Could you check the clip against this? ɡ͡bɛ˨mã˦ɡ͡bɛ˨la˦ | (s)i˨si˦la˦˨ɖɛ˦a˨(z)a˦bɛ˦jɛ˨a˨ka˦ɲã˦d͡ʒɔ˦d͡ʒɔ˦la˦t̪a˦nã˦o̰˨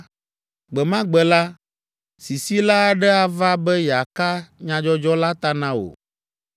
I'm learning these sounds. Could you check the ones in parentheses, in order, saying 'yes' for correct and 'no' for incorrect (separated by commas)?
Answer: yes, no